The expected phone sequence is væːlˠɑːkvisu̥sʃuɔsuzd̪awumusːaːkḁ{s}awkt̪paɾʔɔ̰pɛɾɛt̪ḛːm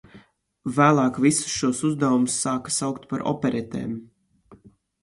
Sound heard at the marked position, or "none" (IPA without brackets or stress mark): s